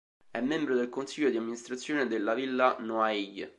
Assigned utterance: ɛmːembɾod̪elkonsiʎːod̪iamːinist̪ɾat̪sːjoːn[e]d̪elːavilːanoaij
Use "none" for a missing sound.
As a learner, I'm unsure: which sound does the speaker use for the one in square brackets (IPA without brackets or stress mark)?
e